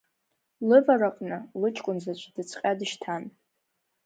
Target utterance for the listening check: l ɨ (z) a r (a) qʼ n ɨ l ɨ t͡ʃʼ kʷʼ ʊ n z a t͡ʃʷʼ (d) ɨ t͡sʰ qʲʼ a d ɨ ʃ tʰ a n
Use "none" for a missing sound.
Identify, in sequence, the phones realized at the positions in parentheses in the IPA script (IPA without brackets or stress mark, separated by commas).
v, a, d